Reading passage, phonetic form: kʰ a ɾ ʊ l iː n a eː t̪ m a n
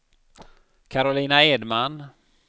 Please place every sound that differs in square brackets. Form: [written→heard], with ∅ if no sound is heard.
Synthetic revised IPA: kʰ a ɾ ʊ l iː n a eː [t̪→d̪] m a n